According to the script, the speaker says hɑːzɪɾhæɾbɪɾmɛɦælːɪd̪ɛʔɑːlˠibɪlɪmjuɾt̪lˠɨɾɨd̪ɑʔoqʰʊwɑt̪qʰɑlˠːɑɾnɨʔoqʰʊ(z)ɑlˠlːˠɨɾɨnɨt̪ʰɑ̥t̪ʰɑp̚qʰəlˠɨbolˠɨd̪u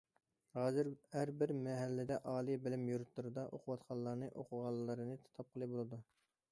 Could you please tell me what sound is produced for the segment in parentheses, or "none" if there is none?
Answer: ʁ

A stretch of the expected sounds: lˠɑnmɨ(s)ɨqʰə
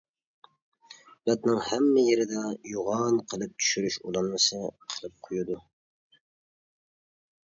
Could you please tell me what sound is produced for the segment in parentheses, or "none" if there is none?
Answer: s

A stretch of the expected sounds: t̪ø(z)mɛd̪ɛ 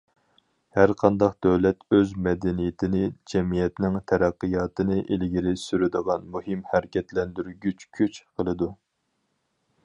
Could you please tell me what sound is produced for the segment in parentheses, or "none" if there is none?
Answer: z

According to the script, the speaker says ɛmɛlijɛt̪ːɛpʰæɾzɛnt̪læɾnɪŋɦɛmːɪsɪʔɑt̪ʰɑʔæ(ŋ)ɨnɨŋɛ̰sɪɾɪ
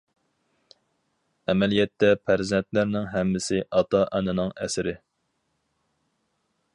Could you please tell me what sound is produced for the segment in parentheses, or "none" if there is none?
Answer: n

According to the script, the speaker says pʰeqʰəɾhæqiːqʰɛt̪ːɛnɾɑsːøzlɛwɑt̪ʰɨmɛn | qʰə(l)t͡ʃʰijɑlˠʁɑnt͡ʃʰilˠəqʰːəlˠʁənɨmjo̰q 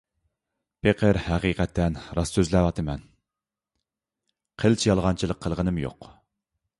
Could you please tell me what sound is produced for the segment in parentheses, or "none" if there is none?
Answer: l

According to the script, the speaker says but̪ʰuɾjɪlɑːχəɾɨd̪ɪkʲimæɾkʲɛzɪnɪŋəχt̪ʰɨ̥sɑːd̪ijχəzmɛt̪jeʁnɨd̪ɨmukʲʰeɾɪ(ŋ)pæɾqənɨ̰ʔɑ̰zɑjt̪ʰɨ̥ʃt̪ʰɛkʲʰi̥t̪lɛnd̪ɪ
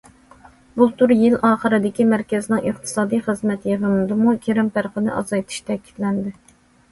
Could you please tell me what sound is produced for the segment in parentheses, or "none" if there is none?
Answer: m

